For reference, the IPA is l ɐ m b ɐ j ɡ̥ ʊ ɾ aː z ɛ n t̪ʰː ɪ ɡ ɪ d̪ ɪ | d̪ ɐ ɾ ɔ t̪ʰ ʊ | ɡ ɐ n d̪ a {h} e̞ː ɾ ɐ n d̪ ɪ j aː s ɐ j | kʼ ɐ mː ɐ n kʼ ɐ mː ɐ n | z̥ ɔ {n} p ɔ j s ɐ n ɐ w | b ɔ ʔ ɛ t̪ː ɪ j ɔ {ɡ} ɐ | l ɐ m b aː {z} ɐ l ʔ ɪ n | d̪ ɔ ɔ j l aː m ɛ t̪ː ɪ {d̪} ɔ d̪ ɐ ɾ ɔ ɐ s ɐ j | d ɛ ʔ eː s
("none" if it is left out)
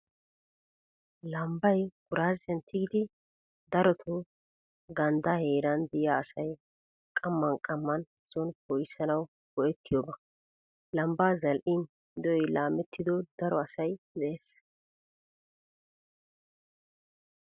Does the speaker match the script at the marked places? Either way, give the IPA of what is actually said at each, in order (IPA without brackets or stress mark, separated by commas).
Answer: h, n, b, z, d̪